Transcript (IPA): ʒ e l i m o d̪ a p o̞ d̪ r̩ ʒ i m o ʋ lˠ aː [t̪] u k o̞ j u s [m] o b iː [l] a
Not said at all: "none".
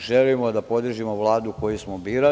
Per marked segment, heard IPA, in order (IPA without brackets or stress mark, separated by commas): d̪, m, ɾ